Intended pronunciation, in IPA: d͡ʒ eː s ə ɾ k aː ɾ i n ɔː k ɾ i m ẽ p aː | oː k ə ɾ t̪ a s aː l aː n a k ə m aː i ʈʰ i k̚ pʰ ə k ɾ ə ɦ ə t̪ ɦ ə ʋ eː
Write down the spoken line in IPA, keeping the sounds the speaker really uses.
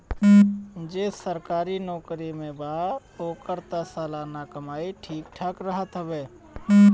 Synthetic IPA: d͡ʒ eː s ə ɾ k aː ɾ i n ɔː k ɾ i m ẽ b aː | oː k ə ɾ t̪ a s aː l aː n a k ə m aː i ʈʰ iː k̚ ʈʰ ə k ɾ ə ɦ ə t̪ ɦ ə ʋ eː